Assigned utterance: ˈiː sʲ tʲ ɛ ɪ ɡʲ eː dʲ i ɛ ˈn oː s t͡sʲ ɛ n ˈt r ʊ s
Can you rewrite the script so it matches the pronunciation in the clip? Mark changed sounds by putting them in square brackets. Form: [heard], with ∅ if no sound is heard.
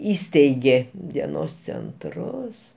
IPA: ˈiː sʲ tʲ ɛ ɪ ɡʲ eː dʲ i ɛ ˈn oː s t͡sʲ ɛ n ˈt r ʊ s